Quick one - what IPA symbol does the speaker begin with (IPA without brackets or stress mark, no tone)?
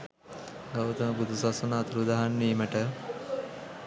ɡ